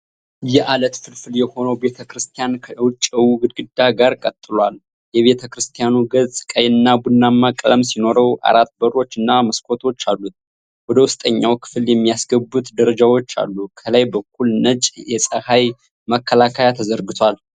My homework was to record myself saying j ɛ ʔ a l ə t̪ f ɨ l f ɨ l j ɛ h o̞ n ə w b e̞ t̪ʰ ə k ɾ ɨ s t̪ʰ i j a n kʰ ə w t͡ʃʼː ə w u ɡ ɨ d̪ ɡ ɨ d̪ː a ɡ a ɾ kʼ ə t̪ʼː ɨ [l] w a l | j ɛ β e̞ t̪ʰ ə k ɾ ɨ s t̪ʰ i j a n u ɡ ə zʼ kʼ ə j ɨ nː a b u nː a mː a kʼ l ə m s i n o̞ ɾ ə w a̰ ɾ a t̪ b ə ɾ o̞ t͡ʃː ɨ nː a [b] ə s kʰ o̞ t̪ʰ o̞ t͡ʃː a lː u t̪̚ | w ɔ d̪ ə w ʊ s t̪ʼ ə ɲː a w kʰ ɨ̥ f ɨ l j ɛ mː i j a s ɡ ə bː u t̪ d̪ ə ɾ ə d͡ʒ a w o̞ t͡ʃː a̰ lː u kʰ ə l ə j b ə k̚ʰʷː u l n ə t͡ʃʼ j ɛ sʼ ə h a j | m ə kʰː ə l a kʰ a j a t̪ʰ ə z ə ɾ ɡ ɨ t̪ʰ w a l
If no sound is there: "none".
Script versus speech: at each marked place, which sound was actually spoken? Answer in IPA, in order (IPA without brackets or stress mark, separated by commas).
l, m